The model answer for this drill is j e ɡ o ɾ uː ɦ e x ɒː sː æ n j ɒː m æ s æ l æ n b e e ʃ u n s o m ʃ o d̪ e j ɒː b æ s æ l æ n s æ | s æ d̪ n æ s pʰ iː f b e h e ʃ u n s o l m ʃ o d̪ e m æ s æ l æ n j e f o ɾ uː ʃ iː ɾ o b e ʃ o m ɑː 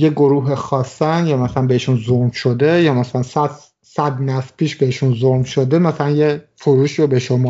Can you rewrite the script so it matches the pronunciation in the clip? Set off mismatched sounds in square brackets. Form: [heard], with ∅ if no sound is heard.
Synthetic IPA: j e ɡ o ɾ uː ɦ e x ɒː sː æ n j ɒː m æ s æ l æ n b e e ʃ u n [z] o m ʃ o d̪ e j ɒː [m] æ s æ l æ n s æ | s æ d̪ n æ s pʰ iː [ʃ] b e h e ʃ u n [z] o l m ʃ o d̪ e m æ s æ l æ n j e f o ɾ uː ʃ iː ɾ o b e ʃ o m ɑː